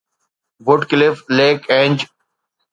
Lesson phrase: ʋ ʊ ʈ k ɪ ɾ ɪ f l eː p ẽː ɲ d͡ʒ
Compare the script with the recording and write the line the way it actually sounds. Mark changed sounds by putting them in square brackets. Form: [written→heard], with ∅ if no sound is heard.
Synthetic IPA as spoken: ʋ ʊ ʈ k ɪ [ɾ→l] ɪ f l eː [p→k] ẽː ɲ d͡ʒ